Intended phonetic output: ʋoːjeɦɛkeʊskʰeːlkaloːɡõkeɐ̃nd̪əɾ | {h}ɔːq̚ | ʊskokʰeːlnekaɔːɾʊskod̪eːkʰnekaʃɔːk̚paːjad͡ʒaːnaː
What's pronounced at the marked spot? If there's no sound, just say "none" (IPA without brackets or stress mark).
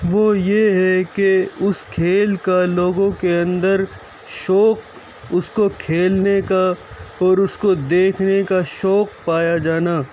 ʃ